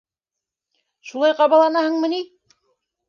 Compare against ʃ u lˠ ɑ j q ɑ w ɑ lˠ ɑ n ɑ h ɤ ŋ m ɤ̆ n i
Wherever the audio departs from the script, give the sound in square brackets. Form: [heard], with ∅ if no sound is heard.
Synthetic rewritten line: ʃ u lˠ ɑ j q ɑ [β] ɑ lˠ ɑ n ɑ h ɤ [ɴ] m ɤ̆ n i